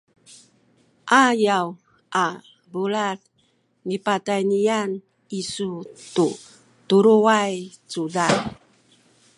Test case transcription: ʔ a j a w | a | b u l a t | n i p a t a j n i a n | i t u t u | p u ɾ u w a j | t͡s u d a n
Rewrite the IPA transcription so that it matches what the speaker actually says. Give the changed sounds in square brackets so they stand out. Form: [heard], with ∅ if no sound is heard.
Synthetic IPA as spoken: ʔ a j a w | a | b u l a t | n i p a t a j n i a n | i [s] u t u | [t] u ɾ u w a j | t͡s u d a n